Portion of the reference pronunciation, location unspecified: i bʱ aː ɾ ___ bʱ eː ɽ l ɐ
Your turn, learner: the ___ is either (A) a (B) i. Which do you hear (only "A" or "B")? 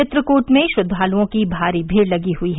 B